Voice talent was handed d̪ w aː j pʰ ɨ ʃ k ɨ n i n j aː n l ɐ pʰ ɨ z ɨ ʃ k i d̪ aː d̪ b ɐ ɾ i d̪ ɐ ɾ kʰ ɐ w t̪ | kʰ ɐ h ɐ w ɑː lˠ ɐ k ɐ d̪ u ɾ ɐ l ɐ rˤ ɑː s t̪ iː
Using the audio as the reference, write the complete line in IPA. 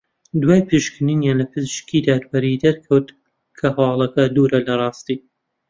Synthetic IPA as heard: d̪ w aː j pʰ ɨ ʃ k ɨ n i n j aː n l ɐ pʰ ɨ z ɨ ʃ k i d̪ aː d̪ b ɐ ɾ i d̪ ɐ ɾ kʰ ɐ w t̪ | kʰ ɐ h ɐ w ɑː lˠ ɐ k ɐ d̪ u ɾ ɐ l ɐ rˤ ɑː s t̪ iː